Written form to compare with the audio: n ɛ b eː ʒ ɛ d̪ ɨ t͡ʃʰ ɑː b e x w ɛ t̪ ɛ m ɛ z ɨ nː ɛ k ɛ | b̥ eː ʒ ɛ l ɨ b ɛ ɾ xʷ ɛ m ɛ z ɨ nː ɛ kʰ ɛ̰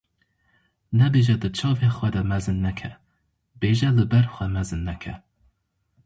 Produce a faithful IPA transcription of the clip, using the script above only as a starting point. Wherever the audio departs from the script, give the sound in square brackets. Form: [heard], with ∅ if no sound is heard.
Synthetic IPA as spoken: n ɛ b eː ʒ ɛ d̪ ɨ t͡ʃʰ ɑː [v] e x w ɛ [d̪] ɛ m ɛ z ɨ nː ɛ [kʰ] ɛ | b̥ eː ʒ ɛ l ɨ b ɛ ɾ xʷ ɛ m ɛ z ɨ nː ɛ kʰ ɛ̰